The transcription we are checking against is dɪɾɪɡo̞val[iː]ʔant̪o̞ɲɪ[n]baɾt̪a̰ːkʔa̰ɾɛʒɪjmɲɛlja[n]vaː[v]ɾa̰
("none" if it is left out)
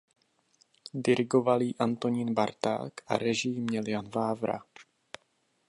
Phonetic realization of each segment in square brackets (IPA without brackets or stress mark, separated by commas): iː, n, n, v